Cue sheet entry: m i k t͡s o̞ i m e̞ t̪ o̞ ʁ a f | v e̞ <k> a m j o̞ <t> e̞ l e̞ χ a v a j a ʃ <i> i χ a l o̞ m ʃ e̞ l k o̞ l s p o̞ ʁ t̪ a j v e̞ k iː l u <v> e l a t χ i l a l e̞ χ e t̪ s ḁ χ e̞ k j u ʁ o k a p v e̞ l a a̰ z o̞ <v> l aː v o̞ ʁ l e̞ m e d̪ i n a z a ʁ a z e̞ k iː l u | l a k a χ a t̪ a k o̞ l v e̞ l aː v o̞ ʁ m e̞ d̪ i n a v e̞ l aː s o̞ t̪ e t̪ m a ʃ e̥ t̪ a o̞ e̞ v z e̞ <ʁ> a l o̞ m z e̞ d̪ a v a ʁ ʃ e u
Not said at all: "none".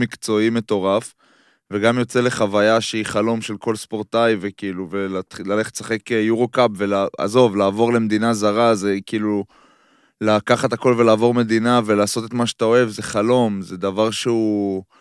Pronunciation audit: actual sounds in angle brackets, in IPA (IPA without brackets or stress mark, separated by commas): ɡ, t͡s, e, v, v, χ